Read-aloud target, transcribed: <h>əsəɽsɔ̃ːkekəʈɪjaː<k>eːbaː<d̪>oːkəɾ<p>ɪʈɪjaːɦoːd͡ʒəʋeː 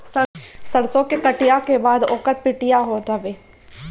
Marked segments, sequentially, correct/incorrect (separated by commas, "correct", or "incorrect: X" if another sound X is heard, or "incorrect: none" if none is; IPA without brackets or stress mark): incorrect: s, correct, correct, correct